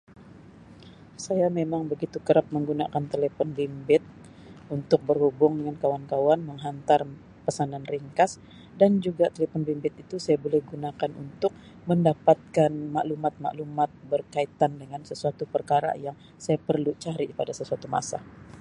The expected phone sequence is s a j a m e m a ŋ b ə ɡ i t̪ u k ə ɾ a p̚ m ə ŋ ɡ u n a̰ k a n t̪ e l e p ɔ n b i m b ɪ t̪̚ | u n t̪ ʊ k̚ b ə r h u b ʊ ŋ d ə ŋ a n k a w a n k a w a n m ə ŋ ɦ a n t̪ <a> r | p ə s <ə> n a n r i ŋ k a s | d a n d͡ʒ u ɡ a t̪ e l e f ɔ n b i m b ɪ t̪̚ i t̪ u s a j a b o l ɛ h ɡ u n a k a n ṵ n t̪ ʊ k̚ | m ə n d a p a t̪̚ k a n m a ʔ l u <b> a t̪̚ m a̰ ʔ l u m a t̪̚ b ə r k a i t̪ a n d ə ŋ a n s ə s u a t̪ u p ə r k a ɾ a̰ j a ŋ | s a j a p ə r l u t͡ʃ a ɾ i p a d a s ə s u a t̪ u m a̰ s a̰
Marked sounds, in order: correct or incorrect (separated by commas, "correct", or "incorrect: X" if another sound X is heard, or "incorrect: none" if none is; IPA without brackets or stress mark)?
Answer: correct, incorrect: a, incorrect: m